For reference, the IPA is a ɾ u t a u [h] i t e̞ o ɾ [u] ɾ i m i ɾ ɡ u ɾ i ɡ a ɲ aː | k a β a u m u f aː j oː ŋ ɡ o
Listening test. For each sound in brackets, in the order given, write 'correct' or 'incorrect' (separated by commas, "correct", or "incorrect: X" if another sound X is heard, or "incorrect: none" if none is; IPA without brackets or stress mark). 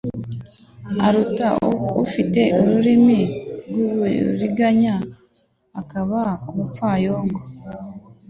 incorrect: f, correct